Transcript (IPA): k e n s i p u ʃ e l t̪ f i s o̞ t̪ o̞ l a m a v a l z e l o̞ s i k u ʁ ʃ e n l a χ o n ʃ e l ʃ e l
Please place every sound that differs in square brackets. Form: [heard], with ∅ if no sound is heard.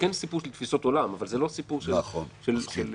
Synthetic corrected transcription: k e n s i p u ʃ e l t̪ f i s o̞ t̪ o̞ l a m a v a l z e l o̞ s i [p] u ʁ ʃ e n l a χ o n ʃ e l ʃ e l